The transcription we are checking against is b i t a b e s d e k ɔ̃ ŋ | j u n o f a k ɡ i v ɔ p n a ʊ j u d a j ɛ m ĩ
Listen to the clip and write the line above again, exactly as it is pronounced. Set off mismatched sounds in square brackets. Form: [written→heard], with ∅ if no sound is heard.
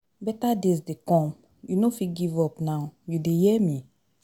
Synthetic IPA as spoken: b [i→ɛ] t a [b→d] e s d e k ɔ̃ [ŋ→m] | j u n o f [a→i] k ɡ i v ɔ p n a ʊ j u d [a→e] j ɛ m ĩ